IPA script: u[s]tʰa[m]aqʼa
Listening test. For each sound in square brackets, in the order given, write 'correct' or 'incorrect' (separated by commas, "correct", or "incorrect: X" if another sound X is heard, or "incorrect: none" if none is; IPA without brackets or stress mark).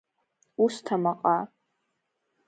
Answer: correct, correct